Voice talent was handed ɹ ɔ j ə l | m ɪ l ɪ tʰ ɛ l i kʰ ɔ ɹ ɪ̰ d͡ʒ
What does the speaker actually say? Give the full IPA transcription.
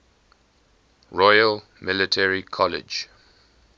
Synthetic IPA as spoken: ɹ ɔ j ə l | m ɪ l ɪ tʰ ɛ ɹ i kʰ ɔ l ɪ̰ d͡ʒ